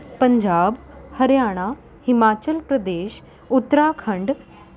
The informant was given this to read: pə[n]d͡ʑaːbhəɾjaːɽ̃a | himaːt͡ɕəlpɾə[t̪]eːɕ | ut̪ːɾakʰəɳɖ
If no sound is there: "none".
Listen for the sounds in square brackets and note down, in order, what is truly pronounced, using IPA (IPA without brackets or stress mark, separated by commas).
ɲ, d̪